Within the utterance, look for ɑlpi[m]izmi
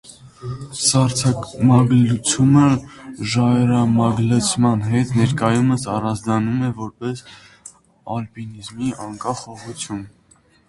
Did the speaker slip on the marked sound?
yes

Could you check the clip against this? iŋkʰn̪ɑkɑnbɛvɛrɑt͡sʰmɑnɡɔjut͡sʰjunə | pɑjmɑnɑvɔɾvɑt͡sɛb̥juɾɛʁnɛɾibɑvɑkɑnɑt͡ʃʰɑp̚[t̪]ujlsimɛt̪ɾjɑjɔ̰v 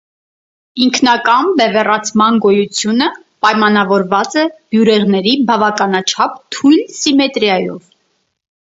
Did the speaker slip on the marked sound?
yes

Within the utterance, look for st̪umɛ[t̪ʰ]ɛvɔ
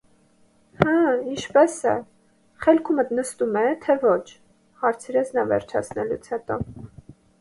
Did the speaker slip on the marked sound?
no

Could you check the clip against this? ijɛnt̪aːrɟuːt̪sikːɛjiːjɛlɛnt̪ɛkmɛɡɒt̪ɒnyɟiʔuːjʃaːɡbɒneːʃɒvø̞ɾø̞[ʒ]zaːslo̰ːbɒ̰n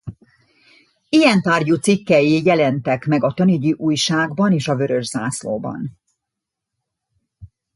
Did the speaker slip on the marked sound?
no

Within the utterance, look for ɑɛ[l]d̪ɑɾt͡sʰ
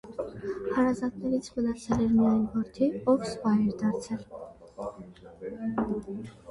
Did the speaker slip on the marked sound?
yes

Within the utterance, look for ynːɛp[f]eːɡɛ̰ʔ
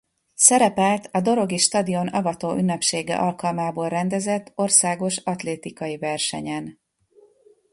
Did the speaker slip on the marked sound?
yes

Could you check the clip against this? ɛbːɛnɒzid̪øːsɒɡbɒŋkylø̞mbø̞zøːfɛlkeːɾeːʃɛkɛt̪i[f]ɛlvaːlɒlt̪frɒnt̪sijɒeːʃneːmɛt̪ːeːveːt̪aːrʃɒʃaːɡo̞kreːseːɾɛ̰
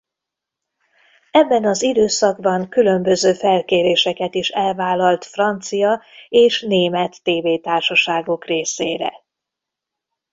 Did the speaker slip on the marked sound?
yes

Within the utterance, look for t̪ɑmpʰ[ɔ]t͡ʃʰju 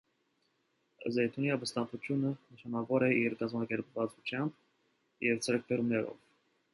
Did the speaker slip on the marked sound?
yes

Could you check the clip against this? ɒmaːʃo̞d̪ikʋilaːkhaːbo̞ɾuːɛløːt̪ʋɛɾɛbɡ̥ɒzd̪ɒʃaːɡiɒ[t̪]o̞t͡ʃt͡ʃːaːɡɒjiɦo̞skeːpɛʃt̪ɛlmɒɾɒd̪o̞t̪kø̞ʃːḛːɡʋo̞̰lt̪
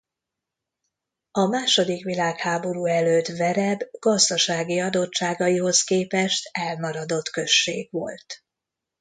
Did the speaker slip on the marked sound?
yes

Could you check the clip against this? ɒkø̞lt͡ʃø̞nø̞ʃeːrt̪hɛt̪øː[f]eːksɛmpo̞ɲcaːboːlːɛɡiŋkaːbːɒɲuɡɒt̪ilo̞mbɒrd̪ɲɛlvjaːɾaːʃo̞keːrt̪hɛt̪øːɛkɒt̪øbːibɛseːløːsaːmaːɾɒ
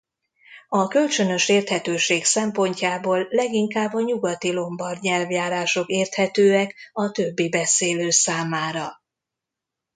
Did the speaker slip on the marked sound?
yes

